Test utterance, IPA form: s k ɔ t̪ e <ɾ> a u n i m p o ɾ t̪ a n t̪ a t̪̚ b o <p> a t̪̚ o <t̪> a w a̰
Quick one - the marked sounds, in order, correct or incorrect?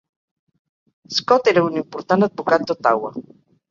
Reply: correct, incorrect, correct

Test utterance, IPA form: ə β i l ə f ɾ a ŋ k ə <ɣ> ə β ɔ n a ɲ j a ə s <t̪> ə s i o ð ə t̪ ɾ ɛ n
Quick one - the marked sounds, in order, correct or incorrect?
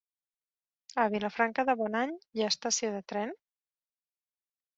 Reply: incorrect, correct

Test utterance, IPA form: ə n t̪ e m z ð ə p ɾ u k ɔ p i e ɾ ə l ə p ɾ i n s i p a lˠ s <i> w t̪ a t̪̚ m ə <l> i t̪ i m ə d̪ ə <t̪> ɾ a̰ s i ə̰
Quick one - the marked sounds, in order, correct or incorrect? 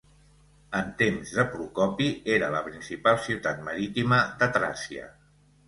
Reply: correct, incorrect, correct

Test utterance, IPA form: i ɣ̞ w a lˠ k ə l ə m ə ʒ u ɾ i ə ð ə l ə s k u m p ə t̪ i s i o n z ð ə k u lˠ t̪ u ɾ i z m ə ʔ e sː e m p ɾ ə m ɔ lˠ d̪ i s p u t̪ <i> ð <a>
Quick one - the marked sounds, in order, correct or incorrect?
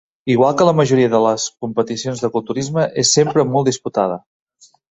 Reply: incorrect, incorrect

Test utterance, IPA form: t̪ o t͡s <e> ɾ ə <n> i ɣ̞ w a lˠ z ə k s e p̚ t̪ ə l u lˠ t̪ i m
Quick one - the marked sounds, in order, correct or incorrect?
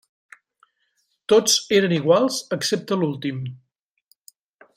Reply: correct, correct

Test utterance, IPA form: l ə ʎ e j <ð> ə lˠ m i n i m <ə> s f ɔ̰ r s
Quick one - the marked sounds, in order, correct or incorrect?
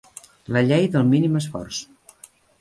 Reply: correct, correct

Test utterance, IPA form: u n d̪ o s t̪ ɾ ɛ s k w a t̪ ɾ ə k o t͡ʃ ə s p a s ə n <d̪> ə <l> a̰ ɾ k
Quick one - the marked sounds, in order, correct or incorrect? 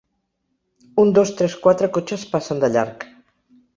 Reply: correct, incorrect

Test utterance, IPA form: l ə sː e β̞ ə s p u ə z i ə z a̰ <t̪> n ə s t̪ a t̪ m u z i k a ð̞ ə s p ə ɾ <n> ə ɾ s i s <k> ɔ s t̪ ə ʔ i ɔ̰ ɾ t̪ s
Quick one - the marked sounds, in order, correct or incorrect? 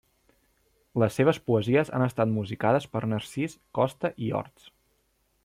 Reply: incorrect, correct, correct

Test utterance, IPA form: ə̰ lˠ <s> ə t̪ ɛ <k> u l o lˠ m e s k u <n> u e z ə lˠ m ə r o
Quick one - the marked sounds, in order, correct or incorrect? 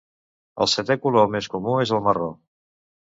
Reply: correct, correct, incorrect

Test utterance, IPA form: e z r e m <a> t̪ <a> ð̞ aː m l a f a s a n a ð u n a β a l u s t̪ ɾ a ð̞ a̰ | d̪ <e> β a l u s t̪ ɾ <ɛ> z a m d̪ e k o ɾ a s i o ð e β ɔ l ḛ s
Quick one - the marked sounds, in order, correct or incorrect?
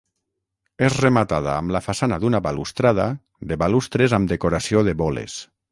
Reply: correct, correct, correct, incorrect

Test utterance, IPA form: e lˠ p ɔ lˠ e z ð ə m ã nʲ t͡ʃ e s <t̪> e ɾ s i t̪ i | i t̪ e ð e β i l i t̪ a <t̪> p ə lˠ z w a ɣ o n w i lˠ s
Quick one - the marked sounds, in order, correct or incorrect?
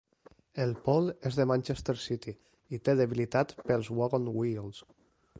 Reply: correct, correct

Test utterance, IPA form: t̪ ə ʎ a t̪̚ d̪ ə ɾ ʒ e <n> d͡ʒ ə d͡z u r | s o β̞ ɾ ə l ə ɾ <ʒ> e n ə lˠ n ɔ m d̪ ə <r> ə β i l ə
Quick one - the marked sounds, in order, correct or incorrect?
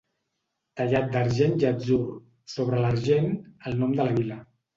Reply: correct, correct, incorrect

